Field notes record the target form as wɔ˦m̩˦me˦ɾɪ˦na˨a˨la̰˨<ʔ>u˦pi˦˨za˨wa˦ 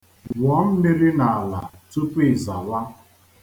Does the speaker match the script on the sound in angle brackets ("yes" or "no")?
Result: no